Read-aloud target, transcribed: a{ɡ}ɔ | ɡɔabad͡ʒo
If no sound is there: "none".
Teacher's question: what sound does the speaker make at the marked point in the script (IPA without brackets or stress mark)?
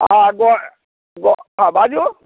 ɡ